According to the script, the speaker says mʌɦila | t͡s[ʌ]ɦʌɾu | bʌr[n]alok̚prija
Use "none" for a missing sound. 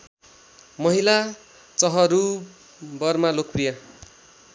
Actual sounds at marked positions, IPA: ʌ, m

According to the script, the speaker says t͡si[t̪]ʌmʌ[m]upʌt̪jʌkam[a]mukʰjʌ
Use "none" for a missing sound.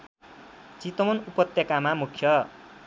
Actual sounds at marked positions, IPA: t̪, n, a

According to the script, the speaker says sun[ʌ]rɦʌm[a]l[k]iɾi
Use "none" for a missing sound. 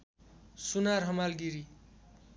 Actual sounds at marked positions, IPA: a, a, ɡ

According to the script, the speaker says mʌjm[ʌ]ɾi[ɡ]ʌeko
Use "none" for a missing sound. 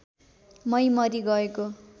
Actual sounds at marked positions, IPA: ʌ, ɡ

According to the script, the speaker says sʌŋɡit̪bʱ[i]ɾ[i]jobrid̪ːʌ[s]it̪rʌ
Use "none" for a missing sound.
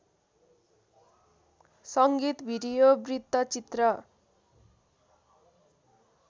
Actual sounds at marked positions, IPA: i, i, t͡s

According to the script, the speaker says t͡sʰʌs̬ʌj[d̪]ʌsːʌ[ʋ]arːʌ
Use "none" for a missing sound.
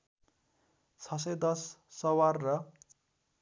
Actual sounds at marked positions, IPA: d̪, w

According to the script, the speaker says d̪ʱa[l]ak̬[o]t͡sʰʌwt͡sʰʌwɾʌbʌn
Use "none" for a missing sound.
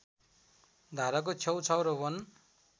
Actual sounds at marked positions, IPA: ɾ, o

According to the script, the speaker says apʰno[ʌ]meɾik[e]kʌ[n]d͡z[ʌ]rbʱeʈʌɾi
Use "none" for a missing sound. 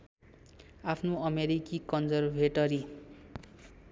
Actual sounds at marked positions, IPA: ʌ, i, n, ʌ

